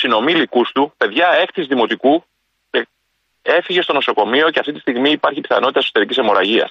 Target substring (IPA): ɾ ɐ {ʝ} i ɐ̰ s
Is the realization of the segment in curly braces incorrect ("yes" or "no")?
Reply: no